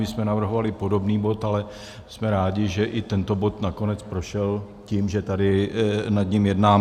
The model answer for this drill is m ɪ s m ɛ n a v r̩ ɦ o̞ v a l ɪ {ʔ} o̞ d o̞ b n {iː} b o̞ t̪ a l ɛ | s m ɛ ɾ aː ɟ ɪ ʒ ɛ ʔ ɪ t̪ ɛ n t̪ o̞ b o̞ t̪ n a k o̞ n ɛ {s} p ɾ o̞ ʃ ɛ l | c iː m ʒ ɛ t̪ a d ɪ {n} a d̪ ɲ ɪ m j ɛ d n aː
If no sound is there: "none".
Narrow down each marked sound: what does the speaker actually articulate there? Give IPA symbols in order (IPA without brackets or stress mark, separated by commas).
p, iː, t͡s, n